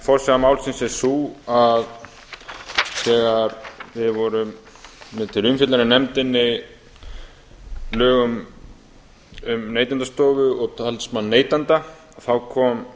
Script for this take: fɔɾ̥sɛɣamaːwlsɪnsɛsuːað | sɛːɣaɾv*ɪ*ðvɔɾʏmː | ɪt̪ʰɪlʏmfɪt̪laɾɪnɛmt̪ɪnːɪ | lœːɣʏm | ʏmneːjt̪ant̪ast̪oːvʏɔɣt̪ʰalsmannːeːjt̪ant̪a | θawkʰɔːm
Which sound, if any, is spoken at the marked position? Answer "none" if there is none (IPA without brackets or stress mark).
ɪ